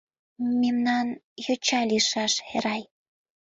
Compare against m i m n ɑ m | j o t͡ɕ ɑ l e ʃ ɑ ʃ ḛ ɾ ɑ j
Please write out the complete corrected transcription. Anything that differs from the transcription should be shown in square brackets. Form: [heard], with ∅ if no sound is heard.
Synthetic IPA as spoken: m [e] m n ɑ [n] | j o t͡ɕ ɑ l [i] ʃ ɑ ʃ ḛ ɾ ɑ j